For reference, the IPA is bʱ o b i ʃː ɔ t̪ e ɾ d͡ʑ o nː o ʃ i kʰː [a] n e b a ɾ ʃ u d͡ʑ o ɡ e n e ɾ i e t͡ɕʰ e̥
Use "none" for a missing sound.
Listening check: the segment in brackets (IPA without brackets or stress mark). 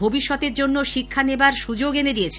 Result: a